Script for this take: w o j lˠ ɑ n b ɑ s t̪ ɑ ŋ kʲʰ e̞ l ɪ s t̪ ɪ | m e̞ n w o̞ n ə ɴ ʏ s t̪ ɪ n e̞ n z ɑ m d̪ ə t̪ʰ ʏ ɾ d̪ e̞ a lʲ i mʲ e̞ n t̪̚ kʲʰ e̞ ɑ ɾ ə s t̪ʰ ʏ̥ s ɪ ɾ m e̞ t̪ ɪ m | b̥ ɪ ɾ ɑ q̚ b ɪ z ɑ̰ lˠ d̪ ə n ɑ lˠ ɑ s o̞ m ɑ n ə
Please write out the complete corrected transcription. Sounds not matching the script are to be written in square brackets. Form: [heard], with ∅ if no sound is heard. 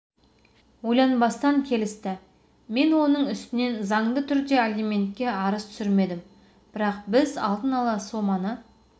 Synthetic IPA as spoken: w o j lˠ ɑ n b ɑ s t̪ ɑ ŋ kʲʰ e̞ l ɪ s t̪ ɪ | m e̞ n w o̞ n ə ɴ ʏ s t̪ ɪ n e̞ n z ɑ [ɴ] d̪ ə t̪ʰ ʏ ɾ d̪ e̞ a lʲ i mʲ e̞ n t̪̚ [kʲ] e̞ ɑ ɾ ə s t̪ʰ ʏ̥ s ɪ ɾ m e̞ [d̪] ɪ m | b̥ ɪ ɾ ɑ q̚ b ɪ z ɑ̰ lˠ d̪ ə n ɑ lˠ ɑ s o̞ m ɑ n ə

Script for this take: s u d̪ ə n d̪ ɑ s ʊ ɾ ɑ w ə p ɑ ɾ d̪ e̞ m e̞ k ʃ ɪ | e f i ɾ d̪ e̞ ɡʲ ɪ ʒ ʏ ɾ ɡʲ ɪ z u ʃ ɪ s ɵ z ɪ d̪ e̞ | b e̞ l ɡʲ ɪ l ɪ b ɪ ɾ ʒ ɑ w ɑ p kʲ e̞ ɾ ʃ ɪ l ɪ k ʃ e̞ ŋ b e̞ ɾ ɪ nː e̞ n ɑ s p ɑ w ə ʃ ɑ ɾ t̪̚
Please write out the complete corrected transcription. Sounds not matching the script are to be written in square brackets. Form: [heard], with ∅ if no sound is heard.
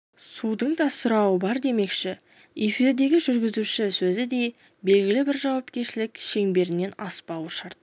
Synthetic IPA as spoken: s u d̪ ə [ɴ] d̪ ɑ s ʊ ɾ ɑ w ə [b] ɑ ɾ d̪ e̞ m e̞ k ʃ ɪ | e f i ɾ d̪ e̞ ɡʲ ɪ ʒ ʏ ɾ ɡʲ ɪ z u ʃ ɪ s ɵ z ɪ d̪ e̞ | b e̞ l ɡʲ ɪ l ɪ b ɪ ɾ ʒ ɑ w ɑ p kʲ e̞ ɾ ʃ ɪ l ɪ k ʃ e̞ ŋ b e̞ ɾ ɪ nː e̞ n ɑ s p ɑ w ə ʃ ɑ ɾ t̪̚

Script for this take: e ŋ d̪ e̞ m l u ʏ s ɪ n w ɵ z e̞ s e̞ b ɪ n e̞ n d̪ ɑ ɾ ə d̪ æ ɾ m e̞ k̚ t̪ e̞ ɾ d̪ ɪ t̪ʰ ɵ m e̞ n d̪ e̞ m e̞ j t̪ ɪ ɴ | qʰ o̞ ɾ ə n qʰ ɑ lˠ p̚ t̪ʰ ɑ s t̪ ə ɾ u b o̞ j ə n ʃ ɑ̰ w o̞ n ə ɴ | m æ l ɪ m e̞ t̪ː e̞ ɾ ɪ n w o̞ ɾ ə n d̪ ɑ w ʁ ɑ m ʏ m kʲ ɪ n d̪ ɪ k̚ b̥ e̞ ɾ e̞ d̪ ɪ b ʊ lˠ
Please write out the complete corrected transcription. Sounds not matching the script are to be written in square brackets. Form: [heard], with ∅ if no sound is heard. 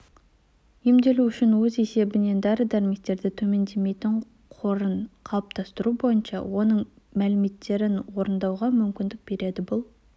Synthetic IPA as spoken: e [m] d̪ e̞ [∅] l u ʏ [ʃ] ɪ n w ɵ z e̞ s e̞ b ɪ n e̞ n d̪ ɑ ɾ ə d̪ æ ɾ m e̞ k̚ t̪ e̞ ɾ d̪ ɪ t̪ʰ ɵ m e̞ n d̪ e̞ m e̞ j t̪ ɪ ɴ | qʰ o̞ ɾ ə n qʰ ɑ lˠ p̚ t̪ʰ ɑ s t̪ ə ɾ u b o̞ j ə n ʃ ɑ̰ w o̞ n ə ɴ | m æ l ɪ m e̞ t̪ː e̞ ɾ ɪ n w o̞ ɾ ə n d̪ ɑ w ʁ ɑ m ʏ m kʲ ɪ n d̪ ɪ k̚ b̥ e̞ ɾ e̞ d̪ ɪ b ʊ lˠ

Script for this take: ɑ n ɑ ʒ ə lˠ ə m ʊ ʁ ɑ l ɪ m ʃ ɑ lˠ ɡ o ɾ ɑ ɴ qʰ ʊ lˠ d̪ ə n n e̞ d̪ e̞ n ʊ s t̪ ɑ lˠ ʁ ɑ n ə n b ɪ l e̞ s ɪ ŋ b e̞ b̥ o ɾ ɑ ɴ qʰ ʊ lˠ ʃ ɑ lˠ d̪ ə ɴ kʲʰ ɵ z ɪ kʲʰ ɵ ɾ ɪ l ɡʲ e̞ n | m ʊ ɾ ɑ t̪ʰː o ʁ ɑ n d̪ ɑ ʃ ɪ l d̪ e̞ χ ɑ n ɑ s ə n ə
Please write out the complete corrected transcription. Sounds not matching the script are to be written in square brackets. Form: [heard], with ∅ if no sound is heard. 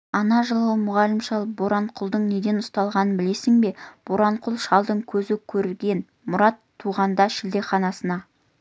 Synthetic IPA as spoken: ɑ n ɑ ʒ ə lˠ ə m ʊ ʁ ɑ l ɪ m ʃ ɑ lˠ [b] o ɾ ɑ ɴ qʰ ʊ lˠ d̪ ə [ɴ] n e̞ d̪ e̞ n ʊ s t̪ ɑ lˠ ʁ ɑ n ə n b ɪ l e̞ s ɪ ŋ b e̞ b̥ o ɾ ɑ ɴ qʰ ʊ lˠ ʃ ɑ lˠ d̪ ə ɴ kʲʰ ɵ z ɪ kʲʰ ɵ ɾ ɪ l ɡʲ e̞ n | m ʊ ɾ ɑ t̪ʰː [u] ʁ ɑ n d̪ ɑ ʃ ɪ l d̪ e̞ χ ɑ n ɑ s ə n [ɑ]

